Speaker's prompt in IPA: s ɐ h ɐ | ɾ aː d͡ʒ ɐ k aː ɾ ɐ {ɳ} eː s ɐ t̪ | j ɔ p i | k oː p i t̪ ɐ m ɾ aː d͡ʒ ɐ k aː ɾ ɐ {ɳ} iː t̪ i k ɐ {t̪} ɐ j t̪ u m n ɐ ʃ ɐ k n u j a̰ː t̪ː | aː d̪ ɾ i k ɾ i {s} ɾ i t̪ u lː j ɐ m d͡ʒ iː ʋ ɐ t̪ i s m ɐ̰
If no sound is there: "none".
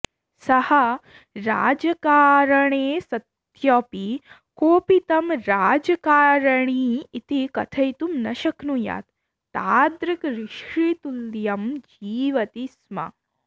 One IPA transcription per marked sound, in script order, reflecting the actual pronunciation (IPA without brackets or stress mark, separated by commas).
ɳ, ɳ, t̪ʰ, ʃ